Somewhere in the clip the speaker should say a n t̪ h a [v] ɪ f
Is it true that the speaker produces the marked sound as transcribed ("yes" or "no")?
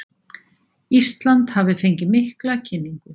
yes